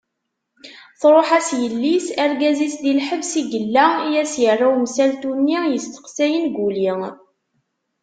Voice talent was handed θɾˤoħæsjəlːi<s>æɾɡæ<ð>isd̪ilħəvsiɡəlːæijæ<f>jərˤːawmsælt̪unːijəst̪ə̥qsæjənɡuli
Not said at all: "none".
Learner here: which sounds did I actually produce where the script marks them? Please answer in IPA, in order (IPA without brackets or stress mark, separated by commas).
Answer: s, z, s